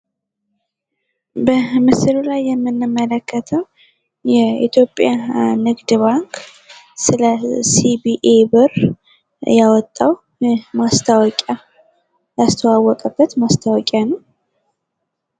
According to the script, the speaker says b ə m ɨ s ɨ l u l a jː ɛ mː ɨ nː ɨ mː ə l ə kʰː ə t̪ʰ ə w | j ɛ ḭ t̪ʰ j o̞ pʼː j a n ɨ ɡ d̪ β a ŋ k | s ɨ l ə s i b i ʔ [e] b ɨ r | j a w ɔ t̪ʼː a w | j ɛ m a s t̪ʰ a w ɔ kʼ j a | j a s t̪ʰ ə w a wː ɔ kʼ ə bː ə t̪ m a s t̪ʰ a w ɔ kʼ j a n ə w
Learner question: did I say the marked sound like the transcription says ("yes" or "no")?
yes